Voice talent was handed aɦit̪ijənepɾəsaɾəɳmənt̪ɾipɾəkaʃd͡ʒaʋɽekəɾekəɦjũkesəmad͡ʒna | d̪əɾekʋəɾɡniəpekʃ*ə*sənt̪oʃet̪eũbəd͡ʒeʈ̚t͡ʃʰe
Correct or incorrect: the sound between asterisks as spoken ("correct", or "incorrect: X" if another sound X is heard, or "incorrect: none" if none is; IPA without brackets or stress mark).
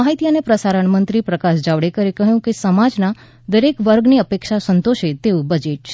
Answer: incorrect: a